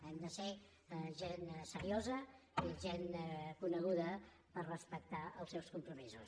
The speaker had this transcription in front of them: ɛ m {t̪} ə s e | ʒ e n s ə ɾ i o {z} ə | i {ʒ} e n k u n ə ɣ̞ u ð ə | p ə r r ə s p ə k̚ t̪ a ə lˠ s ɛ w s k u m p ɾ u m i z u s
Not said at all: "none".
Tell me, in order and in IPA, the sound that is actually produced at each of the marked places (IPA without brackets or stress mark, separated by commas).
d̪, z, ʒ